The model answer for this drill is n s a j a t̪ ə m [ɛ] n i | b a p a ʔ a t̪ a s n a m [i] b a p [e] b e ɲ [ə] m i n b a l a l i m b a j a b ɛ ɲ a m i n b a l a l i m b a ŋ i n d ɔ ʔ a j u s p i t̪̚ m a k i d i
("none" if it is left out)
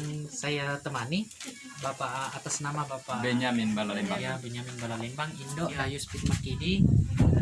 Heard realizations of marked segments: a, a, a, a

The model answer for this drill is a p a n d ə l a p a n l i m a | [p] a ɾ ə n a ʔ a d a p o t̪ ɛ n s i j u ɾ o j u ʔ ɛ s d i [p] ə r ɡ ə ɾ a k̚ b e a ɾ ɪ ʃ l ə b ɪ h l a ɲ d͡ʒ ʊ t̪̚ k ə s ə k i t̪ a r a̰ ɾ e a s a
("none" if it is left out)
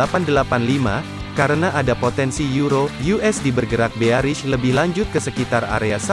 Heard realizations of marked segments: k, b

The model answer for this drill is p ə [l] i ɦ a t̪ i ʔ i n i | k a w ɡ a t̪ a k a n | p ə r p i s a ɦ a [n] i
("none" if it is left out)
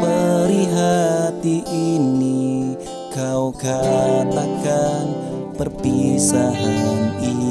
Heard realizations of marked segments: ɾ, n

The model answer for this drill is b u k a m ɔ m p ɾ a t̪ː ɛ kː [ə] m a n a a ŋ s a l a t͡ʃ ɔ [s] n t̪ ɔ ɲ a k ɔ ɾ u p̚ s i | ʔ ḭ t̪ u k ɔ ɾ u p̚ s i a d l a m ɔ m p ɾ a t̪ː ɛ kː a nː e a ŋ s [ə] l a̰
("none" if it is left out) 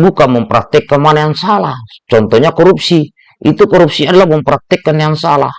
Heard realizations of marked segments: a, none, a

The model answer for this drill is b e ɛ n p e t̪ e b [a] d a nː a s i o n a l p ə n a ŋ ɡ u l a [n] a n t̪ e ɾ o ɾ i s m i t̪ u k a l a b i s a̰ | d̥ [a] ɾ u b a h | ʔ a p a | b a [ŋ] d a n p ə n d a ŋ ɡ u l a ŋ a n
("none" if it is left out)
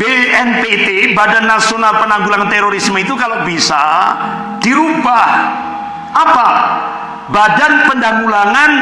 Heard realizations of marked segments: a, ŋ, i, none

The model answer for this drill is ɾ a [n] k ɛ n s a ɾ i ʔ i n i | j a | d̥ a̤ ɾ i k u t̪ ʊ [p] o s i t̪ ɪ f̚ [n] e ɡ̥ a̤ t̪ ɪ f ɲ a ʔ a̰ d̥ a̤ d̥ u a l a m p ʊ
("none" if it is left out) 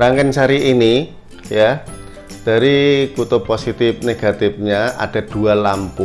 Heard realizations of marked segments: ŋ, p, n

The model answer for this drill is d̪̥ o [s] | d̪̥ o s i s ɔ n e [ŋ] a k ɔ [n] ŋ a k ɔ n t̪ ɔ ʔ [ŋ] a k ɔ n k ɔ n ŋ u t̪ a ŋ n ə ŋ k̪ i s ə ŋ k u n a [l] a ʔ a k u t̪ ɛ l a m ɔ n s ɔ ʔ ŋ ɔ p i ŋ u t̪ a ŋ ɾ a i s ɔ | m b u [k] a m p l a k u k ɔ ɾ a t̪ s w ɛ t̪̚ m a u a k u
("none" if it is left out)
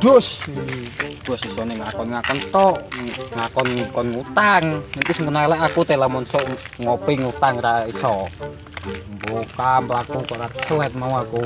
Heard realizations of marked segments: s, ŋ, n, ŋ, l, k

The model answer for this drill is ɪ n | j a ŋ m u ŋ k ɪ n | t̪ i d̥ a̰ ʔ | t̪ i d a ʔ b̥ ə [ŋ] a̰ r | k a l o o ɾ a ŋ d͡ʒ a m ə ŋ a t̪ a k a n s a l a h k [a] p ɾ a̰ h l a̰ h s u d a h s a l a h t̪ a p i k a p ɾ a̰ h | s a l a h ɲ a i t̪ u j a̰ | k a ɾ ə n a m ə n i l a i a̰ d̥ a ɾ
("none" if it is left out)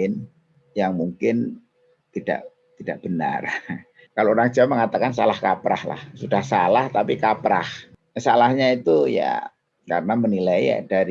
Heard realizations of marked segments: n, a

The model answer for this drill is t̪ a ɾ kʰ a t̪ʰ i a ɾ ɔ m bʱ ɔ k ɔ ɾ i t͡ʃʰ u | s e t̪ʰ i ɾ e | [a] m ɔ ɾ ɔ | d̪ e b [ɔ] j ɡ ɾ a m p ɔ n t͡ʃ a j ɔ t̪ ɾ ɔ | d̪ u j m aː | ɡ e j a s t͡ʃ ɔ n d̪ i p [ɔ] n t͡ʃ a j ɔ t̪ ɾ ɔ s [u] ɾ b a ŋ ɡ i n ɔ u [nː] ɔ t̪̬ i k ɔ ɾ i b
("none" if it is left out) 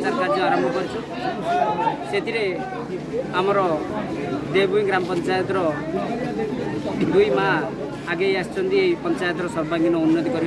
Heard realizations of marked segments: a, u, ɔ, ɔ, nː

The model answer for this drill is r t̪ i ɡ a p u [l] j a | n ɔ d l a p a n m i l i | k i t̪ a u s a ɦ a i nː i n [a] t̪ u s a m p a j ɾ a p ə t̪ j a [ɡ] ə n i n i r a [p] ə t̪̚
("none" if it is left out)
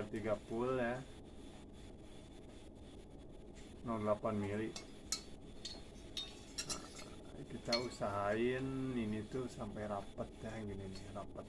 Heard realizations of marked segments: l, i, ɡ, p

